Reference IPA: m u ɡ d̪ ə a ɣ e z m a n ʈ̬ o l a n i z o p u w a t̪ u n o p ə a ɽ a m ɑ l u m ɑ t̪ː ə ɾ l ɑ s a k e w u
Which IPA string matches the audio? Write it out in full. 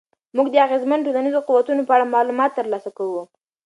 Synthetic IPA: m u ɡ d̪ ə a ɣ e z m a n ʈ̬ o l a n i z o q u w a t̪ u n o p ə a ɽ a m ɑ l u m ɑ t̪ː ə ɾ l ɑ s a k a w u